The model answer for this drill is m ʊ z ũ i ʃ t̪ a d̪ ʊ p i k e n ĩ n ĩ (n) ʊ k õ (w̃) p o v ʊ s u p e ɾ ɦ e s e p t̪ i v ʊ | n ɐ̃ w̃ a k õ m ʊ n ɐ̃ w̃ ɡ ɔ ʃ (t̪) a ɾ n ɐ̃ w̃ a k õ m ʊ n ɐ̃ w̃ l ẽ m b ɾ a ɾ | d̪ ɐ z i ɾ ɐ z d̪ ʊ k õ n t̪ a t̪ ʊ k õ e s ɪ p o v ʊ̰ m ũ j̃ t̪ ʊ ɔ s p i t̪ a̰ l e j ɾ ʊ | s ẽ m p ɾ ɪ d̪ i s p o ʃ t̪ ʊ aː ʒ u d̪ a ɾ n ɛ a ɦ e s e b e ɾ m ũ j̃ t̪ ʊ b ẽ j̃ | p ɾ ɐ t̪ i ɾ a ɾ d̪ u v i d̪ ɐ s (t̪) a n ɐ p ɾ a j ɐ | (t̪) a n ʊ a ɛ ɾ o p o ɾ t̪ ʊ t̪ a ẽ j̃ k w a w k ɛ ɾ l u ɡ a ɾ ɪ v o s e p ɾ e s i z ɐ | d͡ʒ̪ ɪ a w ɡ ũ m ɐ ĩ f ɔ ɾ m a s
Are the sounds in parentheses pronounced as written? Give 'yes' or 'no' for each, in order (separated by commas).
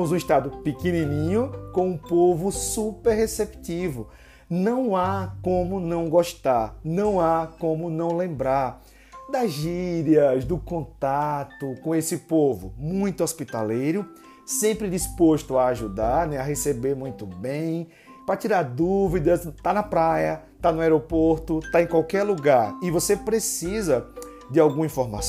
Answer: no, no, yes, yes, yes